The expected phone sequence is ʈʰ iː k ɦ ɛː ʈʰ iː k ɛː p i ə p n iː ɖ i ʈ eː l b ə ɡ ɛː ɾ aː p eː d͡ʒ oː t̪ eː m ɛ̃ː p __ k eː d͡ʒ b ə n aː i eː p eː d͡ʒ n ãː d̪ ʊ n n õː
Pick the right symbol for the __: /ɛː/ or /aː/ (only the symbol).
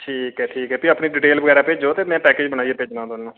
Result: ɛː